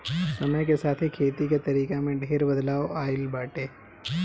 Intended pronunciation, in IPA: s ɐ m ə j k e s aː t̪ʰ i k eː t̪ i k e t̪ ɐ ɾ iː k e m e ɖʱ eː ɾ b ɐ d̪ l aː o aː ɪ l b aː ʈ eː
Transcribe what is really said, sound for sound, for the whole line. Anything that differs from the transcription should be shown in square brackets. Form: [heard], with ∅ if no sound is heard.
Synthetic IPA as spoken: s ɐ m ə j k e s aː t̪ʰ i [kʰ] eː t̪ i k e t̪ ɐ ɾ iː k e m [ẽ] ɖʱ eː ɾ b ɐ d̪ l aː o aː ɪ l b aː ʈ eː